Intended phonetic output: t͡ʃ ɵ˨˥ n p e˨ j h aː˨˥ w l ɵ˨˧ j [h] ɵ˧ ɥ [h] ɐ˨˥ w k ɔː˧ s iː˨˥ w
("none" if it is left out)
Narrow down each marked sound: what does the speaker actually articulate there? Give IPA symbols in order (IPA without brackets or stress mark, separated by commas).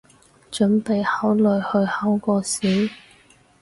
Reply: h, h